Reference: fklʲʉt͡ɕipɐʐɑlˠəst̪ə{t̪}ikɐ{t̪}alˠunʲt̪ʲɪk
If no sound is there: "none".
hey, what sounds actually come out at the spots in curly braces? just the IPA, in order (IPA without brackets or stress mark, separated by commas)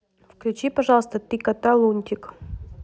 t̪, t̪